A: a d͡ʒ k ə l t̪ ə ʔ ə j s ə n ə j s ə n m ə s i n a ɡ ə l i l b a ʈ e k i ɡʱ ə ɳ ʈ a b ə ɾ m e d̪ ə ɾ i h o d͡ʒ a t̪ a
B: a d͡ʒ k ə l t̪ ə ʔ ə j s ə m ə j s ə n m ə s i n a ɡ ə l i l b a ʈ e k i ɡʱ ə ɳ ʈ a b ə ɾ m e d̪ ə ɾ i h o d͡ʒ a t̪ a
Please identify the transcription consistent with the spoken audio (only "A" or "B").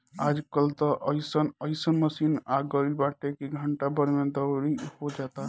A